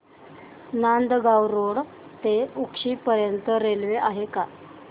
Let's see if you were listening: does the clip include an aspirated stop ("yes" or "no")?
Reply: no